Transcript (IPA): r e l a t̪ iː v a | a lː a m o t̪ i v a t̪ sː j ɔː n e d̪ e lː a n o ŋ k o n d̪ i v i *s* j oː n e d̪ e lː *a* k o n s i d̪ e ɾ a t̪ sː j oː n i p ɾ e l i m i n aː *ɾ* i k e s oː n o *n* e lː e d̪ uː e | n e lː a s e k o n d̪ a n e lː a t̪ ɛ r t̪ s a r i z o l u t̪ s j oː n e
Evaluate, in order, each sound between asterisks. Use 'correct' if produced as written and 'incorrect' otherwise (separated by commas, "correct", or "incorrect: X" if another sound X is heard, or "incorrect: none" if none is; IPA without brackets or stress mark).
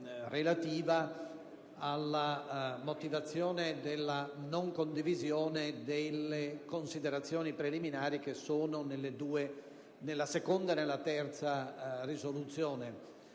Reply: incorrect: z, incorrect: e, correct, correct